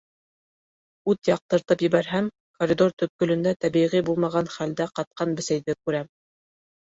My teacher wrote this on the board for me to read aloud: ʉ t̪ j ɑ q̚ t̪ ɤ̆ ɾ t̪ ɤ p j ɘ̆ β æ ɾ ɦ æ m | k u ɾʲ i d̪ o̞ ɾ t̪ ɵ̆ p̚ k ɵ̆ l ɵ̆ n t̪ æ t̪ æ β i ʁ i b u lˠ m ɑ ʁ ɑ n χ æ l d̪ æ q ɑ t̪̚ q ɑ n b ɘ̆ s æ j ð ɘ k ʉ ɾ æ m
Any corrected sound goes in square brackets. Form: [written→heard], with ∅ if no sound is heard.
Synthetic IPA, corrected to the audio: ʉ t̪ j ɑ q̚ t̪ ɤ̆ ɾ t̪ ɤ p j ɘ̆ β æ ɾ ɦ æ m | k [u→o] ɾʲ i d̪ o̞ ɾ t̪ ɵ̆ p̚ k ɵ̆ l ɵ̆ n [t̪→d̪] æ t̪ æ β i ʁ i b u lˠ m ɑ ʁ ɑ n χ æ l d̪ æ q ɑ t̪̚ q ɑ n b ɘ̆ s æ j ð ɘ k ʉ ɾ æ m